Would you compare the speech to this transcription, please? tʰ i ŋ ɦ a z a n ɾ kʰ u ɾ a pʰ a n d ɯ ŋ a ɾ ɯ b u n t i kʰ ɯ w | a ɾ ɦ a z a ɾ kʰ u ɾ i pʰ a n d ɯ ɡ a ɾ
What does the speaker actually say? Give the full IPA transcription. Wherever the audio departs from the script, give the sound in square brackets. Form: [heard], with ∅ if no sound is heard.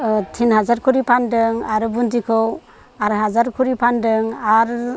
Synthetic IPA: tʰ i [n] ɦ a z a [∅] ɾ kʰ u ɾ [i] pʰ a n d ɯ ŋ a ɾ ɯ b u n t i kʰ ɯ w | a ɾ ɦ a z a ɾ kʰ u ɾ i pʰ a n d ɯ [ŋ] a ɾ